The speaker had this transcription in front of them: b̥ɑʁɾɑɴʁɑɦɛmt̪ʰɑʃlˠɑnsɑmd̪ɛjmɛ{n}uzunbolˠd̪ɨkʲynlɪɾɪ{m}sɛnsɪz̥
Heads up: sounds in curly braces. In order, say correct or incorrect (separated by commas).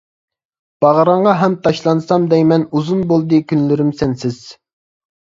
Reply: correct, correct